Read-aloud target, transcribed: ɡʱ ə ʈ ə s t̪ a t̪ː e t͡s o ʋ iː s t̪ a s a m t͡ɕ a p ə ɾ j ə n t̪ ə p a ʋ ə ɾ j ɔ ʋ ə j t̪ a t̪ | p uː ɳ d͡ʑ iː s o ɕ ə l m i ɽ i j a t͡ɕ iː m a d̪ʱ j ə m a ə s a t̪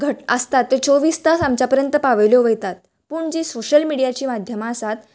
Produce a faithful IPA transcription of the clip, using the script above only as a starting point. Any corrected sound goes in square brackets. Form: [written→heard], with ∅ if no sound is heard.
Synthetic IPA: ɡʱ ə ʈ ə s t̪ a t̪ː e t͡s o ʋ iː s t̪ a s a m t͡ɕ a p ə ɾ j ə n t̪ ə p a ʋ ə [ɾ→l] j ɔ ʋ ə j t̪ a t̪ | p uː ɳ d͡ʑ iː s o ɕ ə l m i ɽ i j a t͡ɕ iː m a d̪ʱ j ə m a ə s a t̪

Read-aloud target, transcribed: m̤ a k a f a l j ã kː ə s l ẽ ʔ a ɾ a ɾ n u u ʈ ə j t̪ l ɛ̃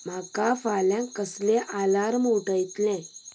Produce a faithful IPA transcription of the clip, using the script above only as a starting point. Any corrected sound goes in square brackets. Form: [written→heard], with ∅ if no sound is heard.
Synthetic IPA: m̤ a k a f a l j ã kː ə s l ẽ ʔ a [ɾ→l] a ɾ [n→m] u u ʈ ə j t̪ l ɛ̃

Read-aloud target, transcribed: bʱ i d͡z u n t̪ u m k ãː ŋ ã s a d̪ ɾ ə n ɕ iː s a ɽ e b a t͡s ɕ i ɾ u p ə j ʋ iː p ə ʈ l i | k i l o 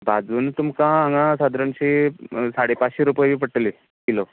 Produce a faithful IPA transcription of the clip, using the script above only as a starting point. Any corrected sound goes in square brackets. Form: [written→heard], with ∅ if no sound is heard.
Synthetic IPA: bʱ [i→a] d͡z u n t̪ u m k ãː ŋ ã s a d̪ ɾ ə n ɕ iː s a ɽ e [b→p] a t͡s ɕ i ɾ u p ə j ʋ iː p ə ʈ l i | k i l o

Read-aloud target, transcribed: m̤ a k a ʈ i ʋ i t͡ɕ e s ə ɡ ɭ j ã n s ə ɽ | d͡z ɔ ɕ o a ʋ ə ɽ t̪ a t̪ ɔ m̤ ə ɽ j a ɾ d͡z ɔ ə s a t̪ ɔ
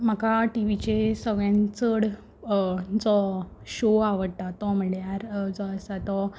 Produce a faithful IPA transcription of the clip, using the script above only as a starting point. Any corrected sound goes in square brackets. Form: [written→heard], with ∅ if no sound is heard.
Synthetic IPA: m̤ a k a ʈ i ʋ i t͡ɕ e s ə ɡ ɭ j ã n [s→t͡s] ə ɽ | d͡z ɔ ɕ o a ʋ ə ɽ t̪ a t̪ ɔ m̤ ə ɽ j a ɾ d͡z ɔ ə s a t̪ ɔ

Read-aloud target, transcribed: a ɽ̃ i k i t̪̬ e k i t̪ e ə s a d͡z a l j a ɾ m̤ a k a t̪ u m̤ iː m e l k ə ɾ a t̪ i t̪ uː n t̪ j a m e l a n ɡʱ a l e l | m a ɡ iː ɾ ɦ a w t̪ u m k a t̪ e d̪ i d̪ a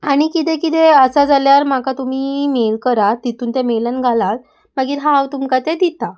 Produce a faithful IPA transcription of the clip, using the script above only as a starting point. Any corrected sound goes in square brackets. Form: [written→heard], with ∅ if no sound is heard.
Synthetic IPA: a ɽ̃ i k i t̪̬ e k i t̪ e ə s a d͡z a l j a ɾ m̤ a k a t̪ u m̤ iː m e l k ə ɾ a t̪ i t̪ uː n t̪ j a m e l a n ɡʱ a l [e→a] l | m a ɡ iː ɾ ɦ a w t̪ u m k a t̪ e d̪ i [d̪→t̪] a

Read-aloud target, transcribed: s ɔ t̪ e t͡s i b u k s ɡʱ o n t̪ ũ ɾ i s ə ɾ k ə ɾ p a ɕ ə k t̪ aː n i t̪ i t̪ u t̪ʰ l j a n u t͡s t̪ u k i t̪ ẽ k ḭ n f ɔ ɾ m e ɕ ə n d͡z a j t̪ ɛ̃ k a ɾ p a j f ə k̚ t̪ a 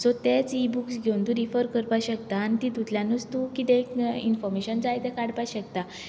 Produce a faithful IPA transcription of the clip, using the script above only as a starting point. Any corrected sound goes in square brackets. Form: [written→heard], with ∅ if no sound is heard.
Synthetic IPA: s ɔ t̪ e t͡s i b u k s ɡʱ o n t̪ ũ ɾ i [s→f] ə ɾ k ə ɾ p a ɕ ə k t̪ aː n i t̪ i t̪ u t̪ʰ l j a n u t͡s t̪ u k i t̪ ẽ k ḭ n f ɔ ɾ m e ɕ ə n d͡z a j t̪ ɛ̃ k a [ɾ→ɽ] p a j [f→ɕ] ə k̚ t̪ a

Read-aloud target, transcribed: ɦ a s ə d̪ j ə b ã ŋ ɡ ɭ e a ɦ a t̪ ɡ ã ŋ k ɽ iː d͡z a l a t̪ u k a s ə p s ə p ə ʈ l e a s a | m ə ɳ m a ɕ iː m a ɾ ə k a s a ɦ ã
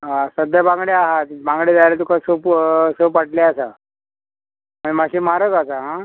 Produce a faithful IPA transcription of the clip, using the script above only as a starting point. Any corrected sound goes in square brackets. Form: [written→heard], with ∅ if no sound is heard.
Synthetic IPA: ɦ a s ə d̪ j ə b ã ŋ ɡ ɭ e a ɦ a t̪ [ɡ→b] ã ŋ [k→ɡ] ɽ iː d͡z a l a t̪ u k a s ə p s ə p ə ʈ l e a s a | m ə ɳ m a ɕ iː m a ɾ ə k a s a ɦ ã

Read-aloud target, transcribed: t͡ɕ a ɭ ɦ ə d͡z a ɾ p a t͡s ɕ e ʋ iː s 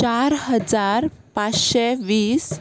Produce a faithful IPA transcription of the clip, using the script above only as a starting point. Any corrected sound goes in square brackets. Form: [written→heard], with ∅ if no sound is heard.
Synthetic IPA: t͡ɕ a [ɭ→ɾ] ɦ ə d͡z a ɾ p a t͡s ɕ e ʋ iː s

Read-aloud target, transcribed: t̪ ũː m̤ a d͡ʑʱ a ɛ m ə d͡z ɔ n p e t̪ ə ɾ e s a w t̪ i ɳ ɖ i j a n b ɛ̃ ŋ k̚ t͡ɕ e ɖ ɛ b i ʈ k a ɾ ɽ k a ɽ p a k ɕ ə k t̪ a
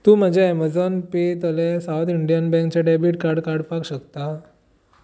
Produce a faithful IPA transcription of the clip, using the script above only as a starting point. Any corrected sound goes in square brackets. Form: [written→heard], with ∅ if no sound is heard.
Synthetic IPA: t̪ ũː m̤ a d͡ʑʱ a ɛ m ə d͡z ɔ n p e t̪ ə [ɾ→l] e s a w t̪ i ɳ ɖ i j a n b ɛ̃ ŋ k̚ t͡ɕ [e→a] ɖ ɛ b i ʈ k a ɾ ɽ k a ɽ p a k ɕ ə k t̪ a

